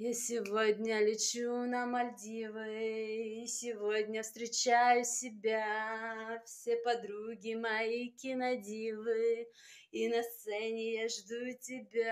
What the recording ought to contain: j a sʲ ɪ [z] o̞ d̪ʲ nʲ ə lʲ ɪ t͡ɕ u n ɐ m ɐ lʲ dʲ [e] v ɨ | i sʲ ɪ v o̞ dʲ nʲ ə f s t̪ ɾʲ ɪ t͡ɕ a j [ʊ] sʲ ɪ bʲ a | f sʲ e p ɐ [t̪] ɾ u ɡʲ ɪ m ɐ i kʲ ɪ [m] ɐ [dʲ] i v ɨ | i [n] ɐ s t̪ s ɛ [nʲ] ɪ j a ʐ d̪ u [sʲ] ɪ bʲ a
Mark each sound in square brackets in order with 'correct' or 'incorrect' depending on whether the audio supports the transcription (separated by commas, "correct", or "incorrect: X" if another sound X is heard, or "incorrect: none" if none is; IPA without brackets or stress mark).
incorrect: v, incorrect: i, correct, incorrect: d̪, incorrect: n, correct, correct, correct, incorrect: tʲ